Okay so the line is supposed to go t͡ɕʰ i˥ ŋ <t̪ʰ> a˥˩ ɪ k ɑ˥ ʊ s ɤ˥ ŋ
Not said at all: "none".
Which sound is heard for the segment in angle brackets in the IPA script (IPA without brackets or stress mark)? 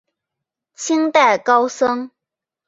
t̪